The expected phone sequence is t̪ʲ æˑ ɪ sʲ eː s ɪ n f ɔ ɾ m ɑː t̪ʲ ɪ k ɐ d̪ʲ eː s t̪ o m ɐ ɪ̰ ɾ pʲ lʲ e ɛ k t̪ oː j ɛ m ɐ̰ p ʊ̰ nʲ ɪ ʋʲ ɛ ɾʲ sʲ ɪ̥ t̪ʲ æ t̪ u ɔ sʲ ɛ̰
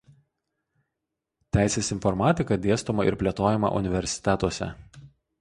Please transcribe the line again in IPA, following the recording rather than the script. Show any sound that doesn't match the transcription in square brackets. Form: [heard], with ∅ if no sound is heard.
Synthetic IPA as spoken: t̪ʲ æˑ ɪ sʲ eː s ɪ n f ɔ ɾ m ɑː t̪ʲ ɪ k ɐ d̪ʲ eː s t̪ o m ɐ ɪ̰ ɾ pʲ lʲ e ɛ [∅] t̪ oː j ɛ m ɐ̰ [ʔ] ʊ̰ nʲ ɪ ʋʲ ɛ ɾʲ sʲ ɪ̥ t̪ʲ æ t̪ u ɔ sʲ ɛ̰